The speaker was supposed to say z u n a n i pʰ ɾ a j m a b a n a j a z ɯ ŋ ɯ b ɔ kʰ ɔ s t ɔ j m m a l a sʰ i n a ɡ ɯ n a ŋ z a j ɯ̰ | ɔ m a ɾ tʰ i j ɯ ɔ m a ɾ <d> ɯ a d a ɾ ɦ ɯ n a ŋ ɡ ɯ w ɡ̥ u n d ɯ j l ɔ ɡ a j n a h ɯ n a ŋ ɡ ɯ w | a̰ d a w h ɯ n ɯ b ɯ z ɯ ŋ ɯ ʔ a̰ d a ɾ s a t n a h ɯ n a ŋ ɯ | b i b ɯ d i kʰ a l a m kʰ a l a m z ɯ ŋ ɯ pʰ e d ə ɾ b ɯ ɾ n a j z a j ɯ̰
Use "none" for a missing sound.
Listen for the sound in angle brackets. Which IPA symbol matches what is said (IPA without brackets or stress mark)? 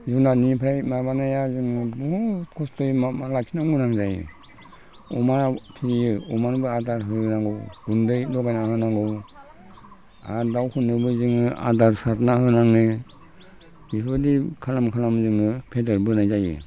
b